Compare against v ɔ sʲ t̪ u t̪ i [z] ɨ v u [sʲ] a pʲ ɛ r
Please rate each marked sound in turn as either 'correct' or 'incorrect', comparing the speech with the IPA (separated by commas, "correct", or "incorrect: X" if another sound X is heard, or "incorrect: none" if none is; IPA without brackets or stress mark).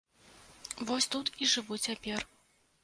incorrect: ʐ, incorrect: t͡sʲ